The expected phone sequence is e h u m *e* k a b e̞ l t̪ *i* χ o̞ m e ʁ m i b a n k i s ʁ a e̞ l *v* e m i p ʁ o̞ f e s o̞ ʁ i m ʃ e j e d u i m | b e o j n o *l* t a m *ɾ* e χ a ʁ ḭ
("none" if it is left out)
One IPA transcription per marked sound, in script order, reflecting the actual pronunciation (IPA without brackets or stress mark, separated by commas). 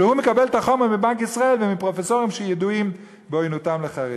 e, a, v, none, l